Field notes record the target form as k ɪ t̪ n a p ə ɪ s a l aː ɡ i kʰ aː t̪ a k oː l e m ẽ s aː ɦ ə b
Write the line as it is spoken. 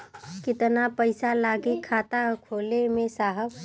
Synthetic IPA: k ɪ t̪ n a p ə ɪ s a l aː ɡ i kʰ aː t̪ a kʰ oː l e m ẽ s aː ɦ ə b

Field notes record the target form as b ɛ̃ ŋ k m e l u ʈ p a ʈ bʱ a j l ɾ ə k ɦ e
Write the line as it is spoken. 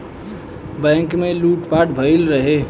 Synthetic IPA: b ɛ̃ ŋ k m e l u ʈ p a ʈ bʱ ə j l ɾ ə ɦ e

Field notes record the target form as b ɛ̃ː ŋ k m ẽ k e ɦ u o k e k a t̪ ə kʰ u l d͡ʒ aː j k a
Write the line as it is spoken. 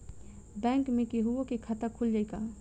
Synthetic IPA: b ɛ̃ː ŋ k m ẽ k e ɦ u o k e kʰ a t̪ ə kʰ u l d͡ʒ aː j k a

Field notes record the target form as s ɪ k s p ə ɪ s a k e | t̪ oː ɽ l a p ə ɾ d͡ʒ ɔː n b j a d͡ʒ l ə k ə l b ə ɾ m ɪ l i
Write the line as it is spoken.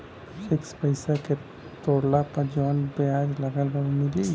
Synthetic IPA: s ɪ k s p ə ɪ s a k e | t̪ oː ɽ l a p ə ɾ d͡ʒ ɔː n b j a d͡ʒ l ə ɡ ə l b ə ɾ m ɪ l i

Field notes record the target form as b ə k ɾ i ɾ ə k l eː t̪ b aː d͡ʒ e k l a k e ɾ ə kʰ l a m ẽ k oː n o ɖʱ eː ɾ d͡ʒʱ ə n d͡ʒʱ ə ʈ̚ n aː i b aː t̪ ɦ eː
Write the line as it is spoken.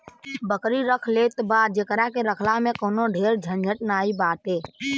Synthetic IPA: b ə k ɾ i ɾ ə kʰ l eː t̪ b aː d͡ʒ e k ɾ a k e ɾ ə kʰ l a m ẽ k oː n o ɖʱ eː ɾ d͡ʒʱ ə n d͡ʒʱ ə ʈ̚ n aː i b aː t̪ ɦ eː

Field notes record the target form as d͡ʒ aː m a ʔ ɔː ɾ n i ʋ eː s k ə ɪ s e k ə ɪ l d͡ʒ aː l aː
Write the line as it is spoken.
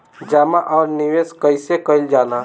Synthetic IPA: d͡ʒ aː m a ʔ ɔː ɾ n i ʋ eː s k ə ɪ s e k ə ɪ l d͡ʒ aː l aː

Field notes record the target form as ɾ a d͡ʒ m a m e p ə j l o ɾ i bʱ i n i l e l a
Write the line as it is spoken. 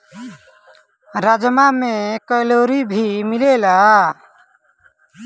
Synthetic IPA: ɾ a d͡ʒ m a m e k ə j l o ɾ i bʱ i m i l e l a

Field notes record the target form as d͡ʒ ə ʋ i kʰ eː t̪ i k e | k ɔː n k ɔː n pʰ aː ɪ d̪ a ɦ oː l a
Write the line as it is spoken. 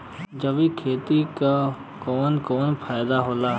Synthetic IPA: d͡ʒ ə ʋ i kʰ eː t̪ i k a | k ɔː n k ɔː n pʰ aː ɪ d̪ a ɦ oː l a

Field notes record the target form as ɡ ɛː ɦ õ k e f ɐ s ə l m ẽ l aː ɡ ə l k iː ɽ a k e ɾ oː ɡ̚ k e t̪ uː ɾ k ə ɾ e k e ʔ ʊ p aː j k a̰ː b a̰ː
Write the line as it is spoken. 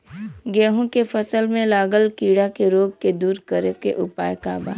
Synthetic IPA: ɡ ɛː ɦ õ k e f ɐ s ə l m ẽ l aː ɡ ə l k iː ɽ a k e ɾ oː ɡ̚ k e d̪ uː ɾ k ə ɾ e k e ʔ ʊ p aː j k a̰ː b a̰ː

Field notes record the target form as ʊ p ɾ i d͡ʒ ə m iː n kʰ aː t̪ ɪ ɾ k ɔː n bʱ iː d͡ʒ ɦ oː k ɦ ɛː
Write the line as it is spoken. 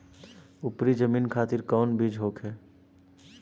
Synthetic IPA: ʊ p ɾ i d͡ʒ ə m iː n kʰ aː t̪ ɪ ɾ k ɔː n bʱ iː d͡ʒ ɦ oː k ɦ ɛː

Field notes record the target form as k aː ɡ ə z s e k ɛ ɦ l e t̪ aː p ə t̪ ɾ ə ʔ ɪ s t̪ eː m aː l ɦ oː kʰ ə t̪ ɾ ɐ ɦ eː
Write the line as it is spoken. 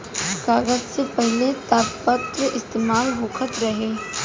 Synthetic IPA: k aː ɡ ə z s e p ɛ ɦ l e t̪ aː p ə t̪ ɾ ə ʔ ɪ s t̪ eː m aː l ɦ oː kʰ ə t̪ ɾ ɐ ɦ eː

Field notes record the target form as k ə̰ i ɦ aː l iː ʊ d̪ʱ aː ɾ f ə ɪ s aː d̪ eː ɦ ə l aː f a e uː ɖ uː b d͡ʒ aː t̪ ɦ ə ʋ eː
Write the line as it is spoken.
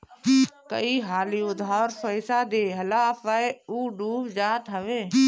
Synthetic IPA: k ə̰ i ɦ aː l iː ʊ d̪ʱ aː ɾ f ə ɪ s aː d̪ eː ɦ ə l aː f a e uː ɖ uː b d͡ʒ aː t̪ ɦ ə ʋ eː

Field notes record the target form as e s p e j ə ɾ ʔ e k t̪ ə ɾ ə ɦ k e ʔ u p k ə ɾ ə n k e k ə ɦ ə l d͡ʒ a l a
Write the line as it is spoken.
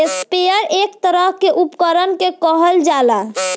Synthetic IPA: e s p e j ə ɾ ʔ e k t̪ ə ɾ ə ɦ k e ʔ u p k ə ɾ ə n k e k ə ɦ ə l d͡ʒ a l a

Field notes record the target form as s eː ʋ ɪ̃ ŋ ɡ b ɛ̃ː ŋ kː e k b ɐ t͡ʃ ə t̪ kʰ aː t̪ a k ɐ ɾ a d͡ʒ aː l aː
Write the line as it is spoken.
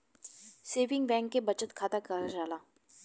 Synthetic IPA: s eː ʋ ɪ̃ ŋ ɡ b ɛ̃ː ŋ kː e b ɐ t͡ʃ ə t̪ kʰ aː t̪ a k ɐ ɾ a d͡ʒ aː l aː

